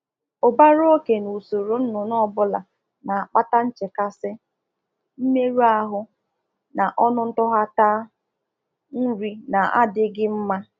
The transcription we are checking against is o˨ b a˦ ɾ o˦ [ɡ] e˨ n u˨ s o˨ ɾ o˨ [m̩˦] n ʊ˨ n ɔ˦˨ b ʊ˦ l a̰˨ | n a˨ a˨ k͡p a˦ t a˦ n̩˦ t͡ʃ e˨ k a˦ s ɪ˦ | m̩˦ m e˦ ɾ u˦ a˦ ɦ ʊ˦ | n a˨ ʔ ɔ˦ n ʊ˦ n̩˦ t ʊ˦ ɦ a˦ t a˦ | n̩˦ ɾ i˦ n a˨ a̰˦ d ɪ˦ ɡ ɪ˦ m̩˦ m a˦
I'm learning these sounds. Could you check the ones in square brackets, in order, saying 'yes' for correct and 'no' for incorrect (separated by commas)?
no, no